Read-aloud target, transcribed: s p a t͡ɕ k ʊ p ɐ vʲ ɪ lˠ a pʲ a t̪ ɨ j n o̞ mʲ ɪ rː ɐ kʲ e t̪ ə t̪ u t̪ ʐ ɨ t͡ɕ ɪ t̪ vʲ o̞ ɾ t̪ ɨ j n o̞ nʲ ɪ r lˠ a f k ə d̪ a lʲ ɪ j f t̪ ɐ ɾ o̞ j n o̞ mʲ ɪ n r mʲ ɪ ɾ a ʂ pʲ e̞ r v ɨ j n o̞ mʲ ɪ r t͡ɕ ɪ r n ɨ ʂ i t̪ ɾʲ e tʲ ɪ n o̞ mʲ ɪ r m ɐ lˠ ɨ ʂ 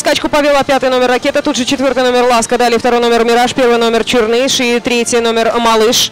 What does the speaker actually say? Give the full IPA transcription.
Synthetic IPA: s k a t͡ɕ k ʊ p ɐ vʲ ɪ lˠ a pʲ a t̪ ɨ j n o̞ mʲ ɪ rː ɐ kʲ e t̪ ə t̪ u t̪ ʐ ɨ t͡ɕ ɪ t̪ vʲ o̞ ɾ t̪ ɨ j n o̞ mʲ ɪ r lˠ a s k ə d̪ a lʲ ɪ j f t̪ ɐ ɾ o̞ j n o̞ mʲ ɪ r mʲ ɪ ɾ a ʂ pʲ e̞ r v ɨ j n o̞ mʲ ɪ r t͡ɕ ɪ r n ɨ ʂ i t̪ ɾʲ e tʲ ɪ n o̞ mʲ ɪ r m ɐ lˠ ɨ ʂ

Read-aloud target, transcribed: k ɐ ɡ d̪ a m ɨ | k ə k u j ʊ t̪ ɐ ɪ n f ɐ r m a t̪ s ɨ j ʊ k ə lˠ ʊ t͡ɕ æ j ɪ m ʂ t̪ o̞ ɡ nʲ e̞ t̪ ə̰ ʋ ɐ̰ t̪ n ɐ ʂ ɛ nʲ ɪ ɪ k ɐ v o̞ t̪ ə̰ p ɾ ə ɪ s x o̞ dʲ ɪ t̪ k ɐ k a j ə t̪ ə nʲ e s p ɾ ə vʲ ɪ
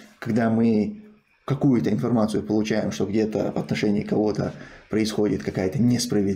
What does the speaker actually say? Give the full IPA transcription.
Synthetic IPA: k ɐ ɡ d̪ a m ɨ | k ɐ k u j ʊ t̪ ə ɪ n f ɐ r m a t̪ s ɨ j ʊ p ə lˠ ʊ t͡ɕ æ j ɪ m ʂ t̪ o̞ ɡ dʲ e̞ t̪ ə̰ v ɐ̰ t̪ n ɐ ʂ ɛ nʲ ɪ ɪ k ɐ v o̞ t̪ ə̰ p ɾ ə ɪ s x o̞ dʲ ɪ t̪ k ɐ k a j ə t̪ ə nʲ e s p ɾ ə vʲ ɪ

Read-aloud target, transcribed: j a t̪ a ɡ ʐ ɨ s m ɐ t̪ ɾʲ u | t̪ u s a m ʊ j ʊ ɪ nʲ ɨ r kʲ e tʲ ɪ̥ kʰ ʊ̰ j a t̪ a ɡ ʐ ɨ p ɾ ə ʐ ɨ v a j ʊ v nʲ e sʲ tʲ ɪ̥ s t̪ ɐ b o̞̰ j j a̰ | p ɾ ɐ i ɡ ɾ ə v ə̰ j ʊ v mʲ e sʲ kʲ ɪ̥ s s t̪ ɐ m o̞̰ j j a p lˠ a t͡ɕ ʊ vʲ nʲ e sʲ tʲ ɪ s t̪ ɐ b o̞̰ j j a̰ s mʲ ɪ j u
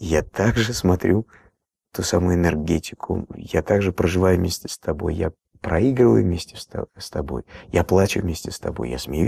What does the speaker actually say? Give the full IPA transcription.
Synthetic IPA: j a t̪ a ɡ ʐ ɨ s m ɐ t̪ ɾʲ u | t̪ u s a m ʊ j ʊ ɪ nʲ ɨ r ɡʲ e tʲ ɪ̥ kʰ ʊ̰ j a t̪ a ɡ ʐ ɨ p ɾ ə ʐ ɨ v a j ʊ v mʲ e sʲ tʲ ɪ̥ s t̪ ɐ b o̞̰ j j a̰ | p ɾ ɐ i ɡ ɾ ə v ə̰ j ʊ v mʲ e sʲ tʲ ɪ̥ s s t̪ ɐ b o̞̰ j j a p lˠ a t͡ɕ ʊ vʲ mʲ e sʲ tʲ ɪ s t̪ ɐ b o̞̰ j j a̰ s mʲ ɪ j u

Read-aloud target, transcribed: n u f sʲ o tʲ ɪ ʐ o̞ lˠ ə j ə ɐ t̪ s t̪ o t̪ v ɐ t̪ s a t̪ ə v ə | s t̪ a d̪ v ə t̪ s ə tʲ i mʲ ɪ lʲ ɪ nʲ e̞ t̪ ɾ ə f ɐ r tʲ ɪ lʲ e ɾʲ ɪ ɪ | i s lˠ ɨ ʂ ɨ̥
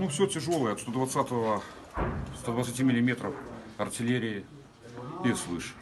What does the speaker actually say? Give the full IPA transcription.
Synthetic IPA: n u f sʲ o tʲ ɪ ʐ o̞ lˠ ə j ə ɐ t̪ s t̪ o d̪ v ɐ t̪ s a t̪ ə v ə | s t̪ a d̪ v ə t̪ s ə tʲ i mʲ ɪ lʲ ɪ mʲ e̞ t̪ ɾ ə f ɐ r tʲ ɪ lʲ e ɾʲ ɪ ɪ | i s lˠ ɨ ʂ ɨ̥

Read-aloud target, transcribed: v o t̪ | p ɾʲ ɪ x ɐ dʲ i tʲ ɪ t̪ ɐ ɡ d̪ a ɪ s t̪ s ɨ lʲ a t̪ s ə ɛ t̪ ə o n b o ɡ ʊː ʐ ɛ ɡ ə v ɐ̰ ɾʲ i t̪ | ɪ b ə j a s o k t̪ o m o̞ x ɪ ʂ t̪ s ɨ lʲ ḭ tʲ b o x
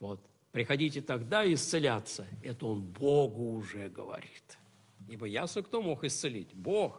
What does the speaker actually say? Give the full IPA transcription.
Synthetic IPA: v o t̪ | p ɾʲ ɪ x ɐ dʲ i tʲ ɪ t̪ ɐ ɡ d̪ a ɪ s t̪ s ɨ lʲ a t̪ s ə ɛ t̪ ə o n b o ɡ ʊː ʐ ɛ ɡ ə v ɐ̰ ɾʲ i t̪ | i b ə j a s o k t̪ o m o̞ x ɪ s t̪ s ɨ lʲ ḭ tʲ b o x

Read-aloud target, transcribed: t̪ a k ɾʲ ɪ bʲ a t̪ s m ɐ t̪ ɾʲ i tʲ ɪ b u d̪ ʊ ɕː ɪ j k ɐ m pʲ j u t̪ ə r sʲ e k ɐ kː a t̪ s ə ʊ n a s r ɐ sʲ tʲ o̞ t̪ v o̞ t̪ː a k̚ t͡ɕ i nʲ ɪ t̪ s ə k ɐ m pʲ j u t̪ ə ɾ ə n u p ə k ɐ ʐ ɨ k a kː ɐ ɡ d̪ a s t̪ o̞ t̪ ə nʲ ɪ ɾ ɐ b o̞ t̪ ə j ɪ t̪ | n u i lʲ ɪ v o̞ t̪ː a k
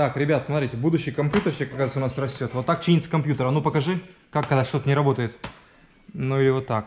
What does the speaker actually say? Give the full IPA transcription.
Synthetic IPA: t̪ a k ɾʲ ɪ bʲ a t̪ s m ɐ t̪ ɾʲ i tʲ ɪ b u d̪ ʊ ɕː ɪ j k ɐ m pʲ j u t̪ ə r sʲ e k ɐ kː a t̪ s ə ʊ n a s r ɐ sʲ tʲ o̞ t̪ v o̞ t̪ː a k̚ t͡ɕ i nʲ ɪ t̪ s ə k ɐ m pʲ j u t̪ ə ɾ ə n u p ə k ɐ ʐ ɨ k a kː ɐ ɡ d̪ a ʂ t̪ o̞ t̪ ə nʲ ɪ ɾ ɐ b o̞ t̪ ə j ɪ t̪ | n u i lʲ ɪ v o̞ t̪ː a k

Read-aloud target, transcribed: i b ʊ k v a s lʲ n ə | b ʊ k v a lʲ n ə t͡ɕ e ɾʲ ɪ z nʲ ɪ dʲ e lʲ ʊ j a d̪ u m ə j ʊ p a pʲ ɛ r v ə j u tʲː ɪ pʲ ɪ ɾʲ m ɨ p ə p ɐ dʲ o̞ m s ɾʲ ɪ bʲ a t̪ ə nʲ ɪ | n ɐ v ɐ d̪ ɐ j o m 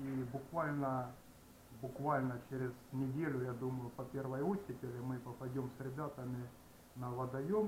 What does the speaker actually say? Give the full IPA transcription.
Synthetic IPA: i b ʊ k v a lʲ n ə | b ʊ k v a lʲ n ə t͡ɕ e ɾʲ ɪ z nʲ ɪ dʲ e lʲ ʊ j a d̪ u m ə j ʊ p ɐ pʲ e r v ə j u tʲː ɪ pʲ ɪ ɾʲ m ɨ p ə p ɐ dʲ o̞ m s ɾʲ ɪ bʲ a t̪ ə mʲ ɪ | n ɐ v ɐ d̪ ɐ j o m

